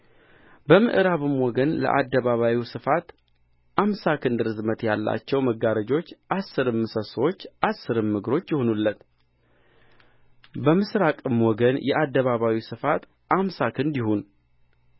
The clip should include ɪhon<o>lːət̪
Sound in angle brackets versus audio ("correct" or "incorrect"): incorrect